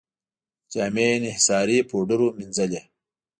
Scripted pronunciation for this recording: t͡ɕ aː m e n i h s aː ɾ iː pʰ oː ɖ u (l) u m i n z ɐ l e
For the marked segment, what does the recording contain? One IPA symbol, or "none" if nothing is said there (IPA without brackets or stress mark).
ɾ